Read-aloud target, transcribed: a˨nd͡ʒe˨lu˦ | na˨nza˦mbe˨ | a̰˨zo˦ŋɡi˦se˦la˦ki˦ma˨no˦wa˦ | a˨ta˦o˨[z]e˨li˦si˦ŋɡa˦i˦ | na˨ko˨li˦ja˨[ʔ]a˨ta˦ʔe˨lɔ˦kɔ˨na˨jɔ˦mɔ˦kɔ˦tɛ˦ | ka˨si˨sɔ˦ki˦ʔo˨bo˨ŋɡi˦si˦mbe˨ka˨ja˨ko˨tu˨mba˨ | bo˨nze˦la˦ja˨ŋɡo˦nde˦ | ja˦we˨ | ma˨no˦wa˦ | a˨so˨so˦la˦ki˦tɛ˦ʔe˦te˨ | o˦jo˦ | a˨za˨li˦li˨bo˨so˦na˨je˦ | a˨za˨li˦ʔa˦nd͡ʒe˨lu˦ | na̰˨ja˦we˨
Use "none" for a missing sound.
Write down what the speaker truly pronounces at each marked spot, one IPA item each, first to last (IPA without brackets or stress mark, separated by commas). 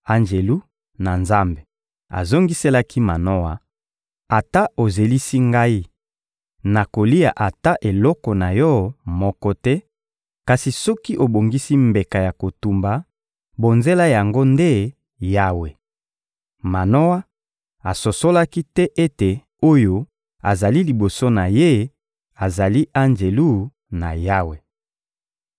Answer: z, ʔ